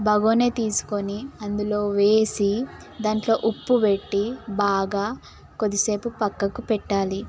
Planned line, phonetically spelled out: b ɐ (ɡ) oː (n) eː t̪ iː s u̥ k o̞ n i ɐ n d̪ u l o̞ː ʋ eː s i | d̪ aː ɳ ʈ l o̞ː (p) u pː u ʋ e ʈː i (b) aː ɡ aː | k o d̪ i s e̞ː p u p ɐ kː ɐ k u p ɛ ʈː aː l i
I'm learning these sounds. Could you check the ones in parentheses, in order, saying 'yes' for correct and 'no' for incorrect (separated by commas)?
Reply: yes, yes, no, yes